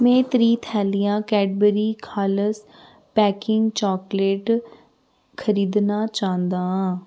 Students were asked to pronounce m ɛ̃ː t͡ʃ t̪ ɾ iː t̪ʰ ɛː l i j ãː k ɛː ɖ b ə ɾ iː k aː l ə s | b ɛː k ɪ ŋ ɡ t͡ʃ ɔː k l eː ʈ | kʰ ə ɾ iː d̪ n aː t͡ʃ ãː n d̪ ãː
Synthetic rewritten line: m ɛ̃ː t̪ ɾ iː t̪ʰ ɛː l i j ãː k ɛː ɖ b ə ɾ iː kʰ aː l ə s | p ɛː k ɪ ŋ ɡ t͡ʃ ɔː k l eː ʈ | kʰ ə ɾ iː d̪ n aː t͡ʃ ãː n d̪ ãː